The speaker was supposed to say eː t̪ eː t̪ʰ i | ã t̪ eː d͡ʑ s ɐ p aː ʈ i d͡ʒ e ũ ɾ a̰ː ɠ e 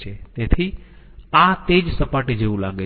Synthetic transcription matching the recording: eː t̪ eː t̪ʰ i | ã t̪ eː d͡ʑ s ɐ p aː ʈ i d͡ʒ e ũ l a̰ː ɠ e